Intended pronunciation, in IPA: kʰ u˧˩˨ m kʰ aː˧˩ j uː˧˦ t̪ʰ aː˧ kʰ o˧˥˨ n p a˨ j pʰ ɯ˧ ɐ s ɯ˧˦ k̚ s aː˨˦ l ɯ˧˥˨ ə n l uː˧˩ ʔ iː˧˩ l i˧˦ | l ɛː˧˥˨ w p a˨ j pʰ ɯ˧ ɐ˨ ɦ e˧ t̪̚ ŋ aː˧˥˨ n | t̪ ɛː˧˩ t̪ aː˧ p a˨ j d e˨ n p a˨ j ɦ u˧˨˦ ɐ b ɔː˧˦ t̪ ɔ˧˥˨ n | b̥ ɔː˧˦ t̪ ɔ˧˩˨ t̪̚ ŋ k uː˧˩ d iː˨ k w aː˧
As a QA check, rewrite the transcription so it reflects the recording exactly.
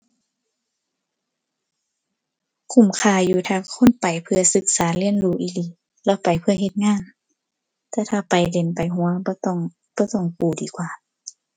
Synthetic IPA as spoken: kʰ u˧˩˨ m kʰ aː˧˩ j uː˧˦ t̪ʰ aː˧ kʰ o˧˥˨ n p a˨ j pʰ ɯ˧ ɐ s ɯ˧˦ k̚ s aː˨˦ l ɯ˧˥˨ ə n l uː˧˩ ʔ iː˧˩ l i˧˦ | l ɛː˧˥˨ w p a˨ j pʰ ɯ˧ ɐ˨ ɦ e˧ t̪̚ ŋ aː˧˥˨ n | t̪ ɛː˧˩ t̪ʰ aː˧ p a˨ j d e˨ n p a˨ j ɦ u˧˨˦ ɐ b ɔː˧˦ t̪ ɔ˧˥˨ ŋ | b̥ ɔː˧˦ t̪ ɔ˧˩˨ ŋ k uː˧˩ d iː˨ k w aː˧

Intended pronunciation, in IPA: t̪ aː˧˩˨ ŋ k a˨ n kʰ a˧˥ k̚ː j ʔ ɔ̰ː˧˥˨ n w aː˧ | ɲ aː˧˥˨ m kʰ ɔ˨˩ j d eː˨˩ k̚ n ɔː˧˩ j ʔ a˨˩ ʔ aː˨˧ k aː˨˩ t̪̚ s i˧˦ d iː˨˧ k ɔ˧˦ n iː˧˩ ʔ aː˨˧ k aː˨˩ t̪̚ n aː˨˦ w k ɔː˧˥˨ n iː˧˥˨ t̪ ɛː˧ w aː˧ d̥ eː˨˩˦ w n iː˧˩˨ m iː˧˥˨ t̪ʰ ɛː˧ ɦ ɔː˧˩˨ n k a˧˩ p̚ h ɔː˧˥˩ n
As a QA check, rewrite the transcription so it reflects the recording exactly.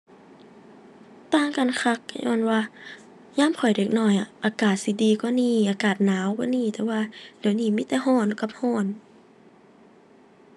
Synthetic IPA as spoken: t̪ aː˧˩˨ ŋ k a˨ n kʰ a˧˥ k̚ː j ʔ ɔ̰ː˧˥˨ n w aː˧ | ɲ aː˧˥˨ m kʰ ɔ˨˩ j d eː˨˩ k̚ n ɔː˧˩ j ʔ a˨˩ ʔ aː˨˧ k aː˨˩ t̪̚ s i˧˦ d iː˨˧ k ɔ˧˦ n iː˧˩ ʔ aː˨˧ k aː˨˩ t̪̚ n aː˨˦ w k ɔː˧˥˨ n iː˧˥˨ t̪ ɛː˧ w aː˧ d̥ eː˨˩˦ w n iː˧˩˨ m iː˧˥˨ t̪ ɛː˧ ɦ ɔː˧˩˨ n k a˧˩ p̚ h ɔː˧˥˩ n

